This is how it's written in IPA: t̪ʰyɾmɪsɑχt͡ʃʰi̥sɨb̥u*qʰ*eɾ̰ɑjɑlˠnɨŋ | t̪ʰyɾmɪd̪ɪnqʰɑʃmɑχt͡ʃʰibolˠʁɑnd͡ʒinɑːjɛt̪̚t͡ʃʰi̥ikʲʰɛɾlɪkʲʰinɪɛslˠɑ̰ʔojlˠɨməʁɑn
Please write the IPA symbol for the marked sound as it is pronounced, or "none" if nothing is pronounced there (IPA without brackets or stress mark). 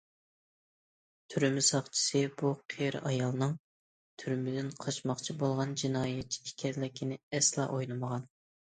qʰ